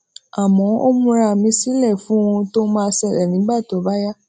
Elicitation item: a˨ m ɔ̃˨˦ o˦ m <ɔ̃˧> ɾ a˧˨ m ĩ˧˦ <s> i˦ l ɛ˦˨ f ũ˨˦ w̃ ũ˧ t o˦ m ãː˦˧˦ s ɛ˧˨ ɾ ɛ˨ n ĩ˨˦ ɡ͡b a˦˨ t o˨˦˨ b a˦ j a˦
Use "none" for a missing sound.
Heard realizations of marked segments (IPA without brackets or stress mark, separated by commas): ũ˧, s